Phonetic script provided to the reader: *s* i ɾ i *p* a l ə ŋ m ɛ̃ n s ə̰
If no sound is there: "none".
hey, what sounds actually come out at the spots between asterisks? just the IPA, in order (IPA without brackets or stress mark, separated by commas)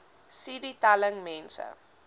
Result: s, t